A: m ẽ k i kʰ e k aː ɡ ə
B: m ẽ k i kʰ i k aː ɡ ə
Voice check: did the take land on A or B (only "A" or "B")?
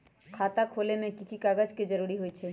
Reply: B